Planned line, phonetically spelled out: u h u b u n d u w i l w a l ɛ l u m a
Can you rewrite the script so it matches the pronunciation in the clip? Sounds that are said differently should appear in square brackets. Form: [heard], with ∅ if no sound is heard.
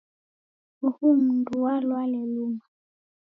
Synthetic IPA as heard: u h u [m] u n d u w [a] l w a l ɛ l u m a